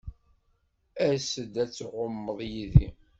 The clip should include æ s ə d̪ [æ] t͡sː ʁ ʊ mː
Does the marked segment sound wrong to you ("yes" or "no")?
no